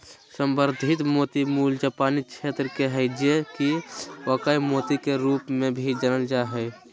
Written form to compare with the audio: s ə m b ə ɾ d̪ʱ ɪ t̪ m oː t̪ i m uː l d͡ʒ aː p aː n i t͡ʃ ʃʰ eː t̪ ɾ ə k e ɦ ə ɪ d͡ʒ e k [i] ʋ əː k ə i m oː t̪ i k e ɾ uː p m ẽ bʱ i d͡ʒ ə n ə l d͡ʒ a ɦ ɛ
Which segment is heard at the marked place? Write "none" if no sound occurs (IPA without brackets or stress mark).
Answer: i